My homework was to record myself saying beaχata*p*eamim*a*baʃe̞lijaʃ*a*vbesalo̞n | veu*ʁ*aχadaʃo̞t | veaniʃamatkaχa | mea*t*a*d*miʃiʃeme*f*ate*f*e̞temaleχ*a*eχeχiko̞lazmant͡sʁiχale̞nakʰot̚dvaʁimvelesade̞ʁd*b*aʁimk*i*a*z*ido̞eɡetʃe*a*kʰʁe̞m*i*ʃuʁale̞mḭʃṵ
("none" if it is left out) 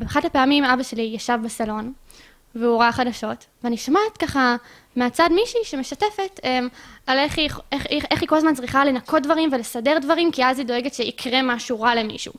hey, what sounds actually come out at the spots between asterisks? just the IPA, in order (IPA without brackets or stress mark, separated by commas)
p, a, a, ʁ, t͡s, d, ʃ, f, i, v, i, z, i, a